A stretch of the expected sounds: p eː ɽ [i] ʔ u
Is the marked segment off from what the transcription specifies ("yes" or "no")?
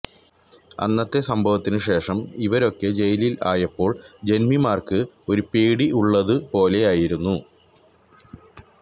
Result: no